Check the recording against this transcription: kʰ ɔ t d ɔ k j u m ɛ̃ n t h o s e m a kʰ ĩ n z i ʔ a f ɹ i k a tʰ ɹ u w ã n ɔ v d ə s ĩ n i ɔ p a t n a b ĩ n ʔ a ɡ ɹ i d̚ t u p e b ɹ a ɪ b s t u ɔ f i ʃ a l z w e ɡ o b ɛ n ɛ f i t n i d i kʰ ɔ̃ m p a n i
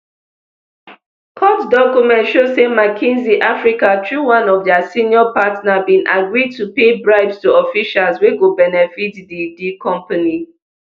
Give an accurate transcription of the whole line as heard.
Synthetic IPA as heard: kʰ ɔ t d ɔ k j u m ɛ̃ n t ʃ o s e m a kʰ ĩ n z i ʔ a f ɹ i k a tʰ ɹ u w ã n ɔ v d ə s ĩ n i ɔ p a t n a b ĩ n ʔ a ɡ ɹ i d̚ t u p e b ɹ a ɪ b s t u ɔ f i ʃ a l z w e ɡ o b ɛ n ɛ f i t d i d i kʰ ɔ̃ m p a n i